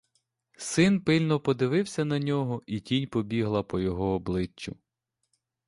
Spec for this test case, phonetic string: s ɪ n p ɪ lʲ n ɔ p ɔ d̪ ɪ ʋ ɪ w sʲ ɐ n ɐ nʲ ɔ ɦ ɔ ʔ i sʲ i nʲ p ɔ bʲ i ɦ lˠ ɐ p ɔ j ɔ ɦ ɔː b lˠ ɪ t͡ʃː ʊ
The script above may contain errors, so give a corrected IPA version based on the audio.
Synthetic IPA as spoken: s ɪ n p ɪ lʲ n ɔ p ɔ d̪ ɪ ʋ ɪ w sʲ ɐ n ɐ nʲ ɔ ɦ ɔ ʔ i tʲ i nʲ p ɔ bʲ i ɦ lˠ ɐ p ɔ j ɔ ɦ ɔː b lˠ ɪ t͡ʃː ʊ